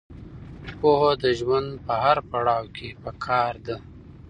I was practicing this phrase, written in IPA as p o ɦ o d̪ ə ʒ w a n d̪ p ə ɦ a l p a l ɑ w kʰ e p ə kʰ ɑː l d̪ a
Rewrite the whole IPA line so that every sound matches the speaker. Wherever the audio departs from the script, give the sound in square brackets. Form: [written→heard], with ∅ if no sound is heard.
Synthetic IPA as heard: p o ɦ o d̪ ə ʒ w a n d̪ p ə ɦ a [l→ɾ] p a [l→ɽ] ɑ w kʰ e p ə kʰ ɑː [l→ɾ] d̪ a

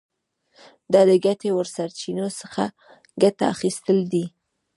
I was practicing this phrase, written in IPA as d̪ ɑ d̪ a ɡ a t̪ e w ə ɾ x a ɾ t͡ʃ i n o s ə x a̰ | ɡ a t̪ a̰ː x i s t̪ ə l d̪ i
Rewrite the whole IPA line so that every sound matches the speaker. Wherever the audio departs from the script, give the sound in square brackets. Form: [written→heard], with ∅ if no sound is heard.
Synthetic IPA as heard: d̪ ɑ d̪ [a→ə] ɡ a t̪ e w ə ɾ [x→s] a ɾ t͡ʃ i n o s ə x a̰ | ɡ a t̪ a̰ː x i s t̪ ə l d̪ i

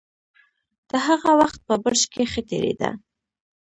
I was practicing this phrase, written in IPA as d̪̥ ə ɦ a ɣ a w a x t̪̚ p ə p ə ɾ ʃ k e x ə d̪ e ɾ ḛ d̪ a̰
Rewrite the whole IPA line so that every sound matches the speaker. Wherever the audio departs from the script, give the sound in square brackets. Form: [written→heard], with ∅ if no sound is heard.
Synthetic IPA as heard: d̪̥ ə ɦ a ɣ a w a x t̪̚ p ə [p→b] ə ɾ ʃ k e x ə [d̪→t̪] e ɾ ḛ d̪ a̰

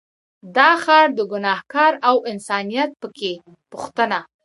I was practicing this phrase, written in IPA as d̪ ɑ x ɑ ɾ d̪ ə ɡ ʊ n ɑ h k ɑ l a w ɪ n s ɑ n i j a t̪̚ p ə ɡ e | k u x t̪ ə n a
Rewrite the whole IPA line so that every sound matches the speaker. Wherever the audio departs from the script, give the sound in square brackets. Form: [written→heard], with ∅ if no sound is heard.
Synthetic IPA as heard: d̪ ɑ x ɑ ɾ d̪ ə ɡ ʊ n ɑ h k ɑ [l→ɾ] a w ɪ n s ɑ n i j a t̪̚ p ə [ɡ→k] e | [k→p] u x t̪ ə n a

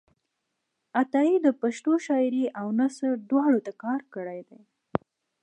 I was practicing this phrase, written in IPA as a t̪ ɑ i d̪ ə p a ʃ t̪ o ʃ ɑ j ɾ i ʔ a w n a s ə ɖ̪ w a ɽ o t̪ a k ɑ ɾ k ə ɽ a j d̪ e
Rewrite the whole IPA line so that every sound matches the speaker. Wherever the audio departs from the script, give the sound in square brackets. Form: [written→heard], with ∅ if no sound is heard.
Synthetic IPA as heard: a t̪ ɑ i d̪ ə p a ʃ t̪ o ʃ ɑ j ɾ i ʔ a w n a s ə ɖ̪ w [a→ɑ] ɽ o t̪ a k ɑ ɾ k ə ɽ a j d̪ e

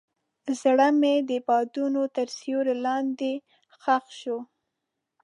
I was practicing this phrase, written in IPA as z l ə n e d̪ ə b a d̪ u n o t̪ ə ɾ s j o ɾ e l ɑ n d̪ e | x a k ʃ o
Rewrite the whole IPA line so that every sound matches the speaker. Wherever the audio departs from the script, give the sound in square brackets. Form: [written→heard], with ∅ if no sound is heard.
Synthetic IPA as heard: z [l→ɽ] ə [n→m] e d̪ ə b [a→ɑ] d̪ u n o t̪ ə ɾ s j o ɾ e l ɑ n d̪ e | x a [k→x] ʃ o

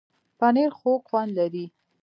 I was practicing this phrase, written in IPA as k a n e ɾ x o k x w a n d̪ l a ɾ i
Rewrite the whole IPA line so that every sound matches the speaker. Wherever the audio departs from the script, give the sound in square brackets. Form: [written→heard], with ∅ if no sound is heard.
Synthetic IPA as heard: [k→p] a n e ɾ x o k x w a n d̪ l a ɾ i

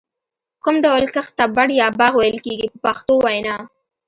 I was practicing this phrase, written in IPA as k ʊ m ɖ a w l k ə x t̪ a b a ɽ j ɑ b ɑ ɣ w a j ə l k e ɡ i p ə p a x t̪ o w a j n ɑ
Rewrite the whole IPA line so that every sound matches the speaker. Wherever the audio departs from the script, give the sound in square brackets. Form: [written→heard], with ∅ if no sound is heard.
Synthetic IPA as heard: k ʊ m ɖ a w l k ə x t̪ a b a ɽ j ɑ b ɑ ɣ w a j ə l k e ɡ i p ə p a x t̪ o w a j n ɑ

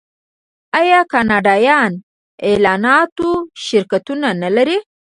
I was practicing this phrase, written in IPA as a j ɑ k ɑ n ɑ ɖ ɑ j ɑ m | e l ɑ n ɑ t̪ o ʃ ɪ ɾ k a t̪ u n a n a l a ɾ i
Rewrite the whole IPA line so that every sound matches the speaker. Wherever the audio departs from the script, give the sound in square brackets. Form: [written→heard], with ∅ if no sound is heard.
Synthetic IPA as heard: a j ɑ k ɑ n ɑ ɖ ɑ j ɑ [m→n] | e l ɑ n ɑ t̪ o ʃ ɪ ɾ k a t̪ u n a n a l a ɾ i

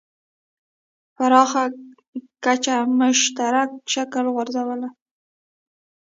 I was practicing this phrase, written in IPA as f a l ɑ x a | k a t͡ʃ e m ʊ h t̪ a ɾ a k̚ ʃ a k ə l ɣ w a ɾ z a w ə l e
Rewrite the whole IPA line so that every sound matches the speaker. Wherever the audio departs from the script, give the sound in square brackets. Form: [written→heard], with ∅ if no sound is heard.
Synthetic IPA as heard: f a [l→ɾ] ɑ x a | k a t͡ʃ [e→a] m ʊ [h→ʃ] t̪ a ɾ a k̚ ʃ a k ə l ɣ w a ɾ z a w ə l [e→a]

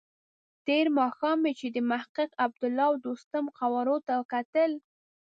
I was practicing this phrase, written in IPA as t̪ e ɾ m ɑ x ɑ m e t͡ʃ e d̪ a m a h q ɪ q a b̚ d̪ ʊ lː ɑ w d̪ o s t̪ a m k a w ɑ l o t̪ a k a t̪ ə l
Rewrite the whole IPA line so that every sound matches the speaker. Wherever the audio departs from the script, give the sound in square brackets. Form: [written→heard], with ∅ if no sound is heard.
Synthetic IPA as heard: t̪ e ɾ m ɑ x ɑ m e t͡ʃ e d̪ [a→ə] m a h q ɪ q a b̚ d̪ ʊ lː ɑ w d̪ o s t̪ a m [k→q] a w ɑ [l→ɾ] o t̪ a k a t̪ ə l

